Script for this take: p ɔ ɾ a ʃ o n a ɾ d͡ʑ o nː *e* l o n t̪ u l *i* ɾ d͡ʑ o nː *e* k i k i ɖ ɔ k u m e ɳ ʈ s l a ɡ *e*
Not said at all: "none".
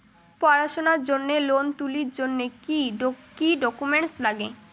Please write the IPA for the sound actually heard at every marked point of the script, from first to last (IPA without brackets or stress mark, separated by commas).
e, i, e, e